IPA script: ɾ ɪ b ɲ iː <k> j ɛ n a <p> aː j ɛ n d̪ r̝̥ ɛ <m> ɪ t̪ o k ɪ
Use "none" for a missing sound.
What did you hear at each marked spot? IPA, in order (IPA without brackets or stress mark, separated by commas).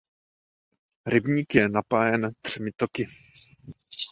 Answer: k, p, m